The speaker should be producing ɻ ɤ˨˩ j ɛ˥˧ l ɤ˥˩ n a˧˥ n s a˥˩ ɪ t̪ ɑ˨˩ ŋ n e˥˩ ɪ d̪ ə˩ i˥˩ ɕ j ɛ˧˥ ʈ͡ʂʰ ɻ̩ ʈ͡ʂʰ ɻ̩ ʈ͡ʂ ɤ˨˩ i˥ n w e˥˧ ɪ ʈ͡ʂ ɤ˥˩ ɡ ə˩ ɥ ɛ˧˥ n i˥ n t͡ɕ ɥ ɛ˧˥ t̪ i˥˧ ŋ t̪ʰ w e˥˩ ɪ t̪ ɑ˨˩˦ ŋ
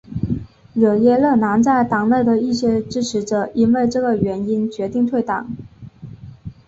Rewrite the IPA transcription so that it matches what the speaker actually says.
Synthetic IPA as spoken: ɻ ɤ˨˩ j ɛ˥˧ l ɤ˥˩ n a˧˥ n t͡s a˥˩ ɪ t̪ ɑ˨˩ ŋ n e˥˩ ɪ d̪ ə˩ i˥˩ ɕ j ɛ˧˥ ʈ͡ʂ ɻ̩ ʈ͡ʂʰ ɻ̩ ʈ͡ʂ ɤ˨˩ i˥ n w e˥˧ ɪ ʈ͡ʂ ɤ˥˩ ɡ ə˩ ɥ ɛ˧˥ n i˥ n t͡ɕ ɥ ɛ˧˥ t̪ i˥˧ ŋ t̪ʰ w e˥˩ ɪ t̪ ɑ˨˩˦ ŋ

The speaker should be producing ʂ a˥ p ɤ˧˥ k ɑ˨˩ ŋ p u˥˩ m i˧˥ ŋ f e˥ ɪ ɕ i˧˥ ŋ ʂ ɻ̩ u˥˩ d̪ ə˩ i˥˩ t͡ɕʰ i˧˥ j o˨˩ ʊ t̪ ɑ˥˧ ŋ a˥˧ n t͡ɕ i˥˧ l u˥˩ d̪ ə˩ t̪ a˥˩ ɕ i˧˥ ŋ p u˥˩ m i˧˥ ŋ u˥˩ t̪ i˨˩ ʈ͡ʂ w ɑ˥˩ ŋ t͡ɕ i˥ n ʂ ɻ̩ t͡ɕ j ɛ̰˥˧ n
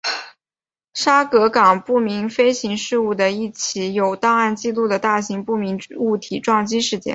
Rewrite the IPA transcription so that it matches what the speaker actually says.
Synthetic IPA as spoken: ʂ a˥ k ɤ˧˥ k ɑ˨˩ ŋ p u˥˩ m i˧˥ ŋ f e˥ ɪ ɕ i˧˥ ŋ ʂ ɻ̩ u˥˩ d̪ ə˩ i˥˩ t͡ɕʰ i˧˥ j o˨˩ ʊ t̪ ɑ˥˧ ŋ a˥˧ n t͡ɕ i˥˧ l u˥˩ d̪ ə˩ t̪ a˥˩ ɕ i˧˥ ŋ p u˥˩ m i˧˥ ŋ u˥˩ t̪ʰ i˨˩ ʈ͡ʂ w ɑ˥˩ ŋ t͡ɕ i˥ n ʂ ɻ̩ t͡ɕ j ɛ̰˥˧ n

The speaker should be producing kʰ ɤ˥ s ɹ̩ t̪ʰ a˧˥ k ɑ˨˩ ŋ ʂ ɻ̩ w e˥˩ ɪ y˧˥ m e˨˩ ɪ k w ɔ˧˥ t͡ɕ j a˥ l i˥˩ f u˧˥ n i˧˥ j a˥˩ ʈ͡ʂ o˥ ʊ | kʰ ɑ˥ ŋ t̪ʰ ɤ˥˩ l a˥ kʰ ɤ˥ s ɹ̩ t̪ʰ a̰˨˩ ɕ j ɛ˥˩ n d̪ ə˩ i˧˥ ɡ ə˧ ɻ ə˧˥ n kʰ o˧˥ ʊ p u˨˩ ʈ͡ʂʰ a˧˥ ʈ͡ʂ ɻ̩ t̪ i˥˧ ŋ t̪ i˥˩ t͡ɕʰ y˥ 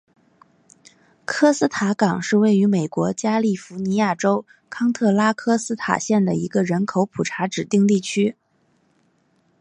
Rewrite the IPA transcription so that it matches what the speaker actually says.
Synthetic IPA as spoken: kʰ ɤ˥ s ɹ̩ t̪ʰ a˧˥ k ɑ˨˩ ŋ ʂ ɻ̩ w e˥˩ ɪ y˧˥ m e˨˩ ɪ k w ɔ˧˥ t͡ɕ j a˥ l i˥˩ f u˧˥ n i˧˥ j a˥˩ ʈ͡ʂ o˥ ʊ | kʰ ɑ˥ ŋ t̪ʰ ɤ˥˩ l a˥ kʰ ɤ˥ s ɹ̩ t̪ʰ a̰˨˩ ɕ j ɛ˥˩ n d̪ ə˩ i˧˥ ɡ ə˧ ɻ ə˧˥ n kʰ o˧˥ ʊ pʰ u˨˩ ʈ͡ʂʰ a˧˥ ʈ͡ʂ ɻ̩ t̪ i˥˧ ŋ t̪ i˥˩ t͡ɕʰ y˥

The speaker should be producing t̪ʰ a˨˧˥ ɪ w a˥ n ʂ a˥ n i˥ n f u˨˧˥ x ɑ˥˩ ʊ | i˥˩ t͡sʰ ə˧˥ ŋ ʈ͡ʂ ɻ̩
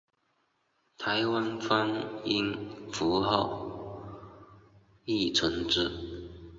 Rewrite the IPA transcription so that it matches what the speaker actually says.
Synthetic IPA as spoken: t̪ʰ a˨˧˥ ɪ w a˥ n f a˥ n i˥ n f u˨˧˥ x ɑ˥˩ ʊ | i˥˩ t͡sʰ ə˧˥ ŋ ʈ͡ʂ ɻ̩

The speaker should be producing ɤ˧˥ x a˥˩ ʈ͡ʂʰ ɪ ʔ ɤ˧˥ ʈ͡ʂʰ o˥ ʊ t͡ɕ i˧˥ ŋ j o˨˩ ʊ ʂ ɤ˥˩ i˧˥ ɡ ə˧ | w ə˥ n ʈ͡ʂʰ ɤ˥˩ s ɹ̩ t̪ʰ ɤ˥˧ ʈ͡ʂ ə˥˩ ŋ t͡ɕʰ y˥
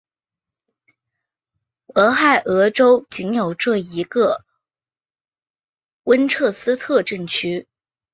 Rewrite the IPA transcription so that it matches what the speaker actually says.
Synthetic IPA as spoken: ɤ˧˥ x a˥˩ ɪ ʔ ɤ˧˥ ʈ͡ʂ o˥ ʊ t͡ɕ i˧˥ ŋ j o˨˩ ʊ ʈ͡ʂ ɤ˥˩ i˧˥ ɡ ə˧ | w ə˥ n ʈ͡ʂʰ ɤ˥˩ s ɹ̩ t̪ʰ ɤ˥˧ ʈ͡ʂ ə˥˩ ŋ t͡ɕʰ y˥

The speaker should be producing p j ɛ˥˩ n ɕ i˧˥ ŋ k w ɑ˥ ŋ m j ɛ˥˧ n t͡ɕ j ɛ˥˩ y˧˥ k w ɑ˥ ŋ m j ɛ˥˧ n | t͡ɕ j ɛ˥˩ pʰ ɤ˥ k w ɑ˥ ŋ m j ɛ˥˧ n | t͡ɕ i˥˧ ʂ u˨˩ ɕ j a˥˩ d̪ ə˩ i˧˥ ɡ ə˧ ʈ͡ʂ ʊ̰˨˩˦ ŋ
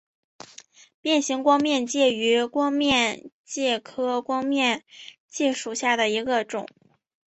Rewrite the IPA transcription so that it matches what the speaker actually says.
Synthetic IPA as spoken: p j ɛ˥˩ n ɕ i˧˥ ŋ k w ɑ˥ ŋ m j ɛ˥˧ n t͡ɕ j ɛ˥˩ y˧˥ k w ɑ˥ ŋ m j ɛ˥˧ n | t͡ɕ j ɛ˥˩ kʰ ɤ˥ k w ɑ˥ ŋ m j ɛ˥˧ n | t͡ɕ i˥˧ ʂ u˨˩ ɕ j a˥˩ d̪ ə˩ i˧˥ ɡ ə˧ ʈ͡ʂ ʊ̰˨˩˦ ŋ

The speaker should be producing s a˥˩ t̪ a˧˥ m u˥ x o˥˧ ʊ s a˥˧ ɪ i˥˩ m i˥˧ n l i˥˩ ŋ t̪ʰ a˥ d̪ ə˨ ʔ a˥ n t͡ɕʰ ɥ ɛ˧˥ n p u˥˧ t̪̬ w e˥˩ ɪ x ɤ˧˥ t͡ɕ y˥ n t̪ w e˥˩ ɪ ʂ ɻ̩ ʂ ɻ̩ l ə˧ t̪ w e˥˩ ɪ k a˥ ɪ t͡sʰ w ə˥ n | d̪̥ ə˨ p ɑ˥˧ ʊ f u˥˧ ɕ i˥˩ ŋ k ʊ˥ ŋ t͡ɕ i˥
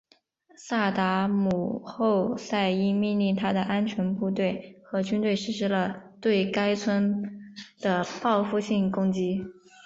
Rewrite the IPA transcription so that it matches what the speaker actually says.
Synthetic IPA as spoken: s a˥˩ t̪ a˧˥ m u˨˩ x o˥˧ ʊ s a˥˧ ɪ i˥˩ m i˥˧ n l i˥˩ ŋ t̪ʰ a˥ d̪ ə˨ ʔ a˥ n t͡ɕʰ ɥ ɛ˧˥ n p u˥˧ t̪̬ w e˥˩ ɪ x ɤ˧˥ t͡ɕ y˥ n t̪ w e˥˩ ɪ ʂ ɻ̩ ʂ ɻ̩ l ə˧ t̪ w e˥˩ ɪ k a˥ ɪ t͡sʰ w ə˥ n | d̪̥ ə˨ p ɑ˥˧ ʊ f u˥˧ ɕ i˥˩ ŋ k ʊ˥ ŋ t͡ɕ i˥

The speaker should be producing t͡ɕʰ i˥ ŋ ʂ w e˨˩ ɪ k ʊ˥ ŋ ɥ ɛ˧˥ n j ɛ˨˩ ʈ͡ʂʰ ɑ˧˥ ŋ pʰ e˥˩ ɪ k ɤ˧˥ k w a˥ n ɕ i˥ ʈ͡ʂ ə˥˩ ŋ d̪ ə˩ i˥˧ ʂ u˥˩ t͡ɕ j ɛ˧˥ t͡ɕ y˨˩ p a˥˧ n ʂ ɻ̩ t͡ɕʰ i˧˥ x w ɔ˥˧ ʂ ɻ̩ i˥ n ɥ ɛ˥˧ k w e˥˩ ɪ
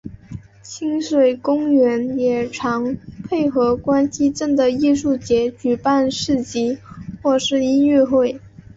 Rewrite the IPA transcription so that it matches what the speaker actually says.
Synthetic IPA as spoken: t͡ɕʰ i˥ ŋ ʂ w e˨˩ ɪ k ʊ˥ ŋ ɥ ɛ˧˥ n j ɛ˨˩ ʈ͡ʂʰ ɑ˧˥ ŋ pʰ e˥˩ ɪ x ɤ˧˥ k w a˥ n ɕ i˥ ʈ͡ʂ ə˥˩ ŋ d̪ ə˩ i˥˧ ʂ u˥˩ t͡ɕ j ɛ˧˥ t͡ɕ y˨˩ p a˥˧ n ʂ ɻ̩ t͡ɕ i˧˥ x w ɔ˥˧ ʂ ɻ̩ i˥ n ɥ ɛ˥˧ x w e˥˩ ɪ

